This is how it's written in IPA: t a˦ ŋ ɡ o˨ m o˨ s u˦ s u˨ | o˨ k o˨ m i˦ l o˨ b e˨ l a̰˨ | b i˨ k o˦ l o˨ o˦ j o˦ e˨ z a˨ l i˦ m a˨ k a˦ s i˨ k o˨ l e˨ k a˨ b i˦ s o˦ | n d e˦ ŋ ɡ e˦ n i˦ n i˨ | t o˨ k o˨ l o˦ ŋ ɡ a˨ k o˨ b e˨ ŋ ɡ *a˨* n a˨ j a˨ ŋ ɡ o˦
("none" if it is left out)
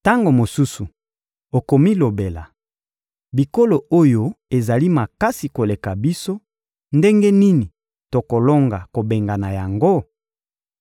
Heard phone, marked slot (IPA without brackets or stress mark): a˨